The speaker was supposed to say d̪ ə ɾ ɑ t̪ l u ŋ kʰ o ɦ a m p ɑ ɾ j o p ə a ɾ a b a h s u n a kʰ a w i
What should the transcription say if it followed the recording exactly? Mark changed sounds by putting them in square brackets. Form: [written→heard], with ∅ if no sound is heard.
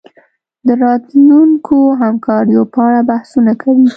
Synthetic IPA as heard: d̪ ə ɾ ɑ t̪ l u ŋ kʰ o ɦ a m [p→k] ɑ ɾ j o p ə a [ɾ→ɽ] a b a h s u n a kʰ a w i